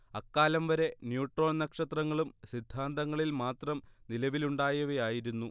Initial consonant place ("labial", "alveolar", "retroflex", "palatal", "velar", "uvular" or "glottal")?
velar